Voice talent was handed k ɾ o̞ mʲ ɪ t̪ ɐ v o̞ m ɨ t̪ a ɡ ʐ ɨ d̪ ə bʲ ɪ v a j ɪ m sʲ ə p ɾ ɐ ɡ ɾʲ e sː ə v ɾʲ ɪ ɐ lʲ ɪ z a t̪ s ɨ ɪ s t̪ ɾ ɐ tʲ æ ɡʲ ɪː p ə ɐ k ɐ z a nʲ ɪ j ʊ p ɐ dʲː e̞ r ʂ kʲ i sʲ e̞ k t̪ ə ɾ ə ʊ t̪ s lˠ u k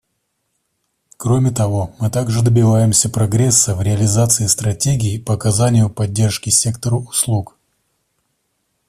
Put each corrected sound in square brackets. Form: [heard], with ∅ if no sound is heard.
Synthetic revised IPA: k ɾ o̞ mʲ ɪ t̪ ɐ v o̞ m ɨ t̪ a ɡ ʐ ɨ d̪ ə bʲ ɪ v a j ɪ m sʲ ə p ɾ ɐ ɡ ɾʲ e sː ə v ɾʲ ɪ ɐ lʲ ɪ z a t̪ s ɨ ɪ s t̪ ɾ ɐ tʲ [e] ɡʲ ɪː p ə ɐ k ɐ z a nʲ ɪ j ʊ p ɐ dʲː e̞ r ʂ kʲ [ɪ] sʲ e̞ k t̪ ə ɾ ə ʊ [∅] s lˠ u k